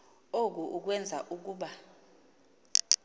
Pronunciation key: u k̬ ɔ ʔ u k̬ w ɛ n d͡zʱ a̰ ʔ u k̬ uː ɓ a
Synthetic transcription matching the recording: o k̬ u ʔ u k̬ w ɛ n d͡zʱ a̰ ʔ u k̬ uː ɓ a